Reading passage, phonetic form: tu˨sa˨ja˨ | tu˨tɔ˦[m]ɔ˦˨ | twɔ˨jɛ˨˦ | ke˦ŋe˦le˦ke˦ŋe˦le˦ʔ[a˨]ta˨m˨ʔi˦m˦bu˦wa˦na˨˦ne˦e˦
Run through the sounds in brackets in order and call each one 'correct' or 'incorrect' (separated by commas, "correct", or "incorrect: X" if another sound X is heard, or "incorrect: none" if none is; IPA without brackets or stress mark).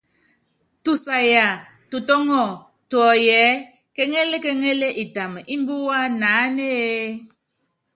incorrect: ŋ, incorrect: i˨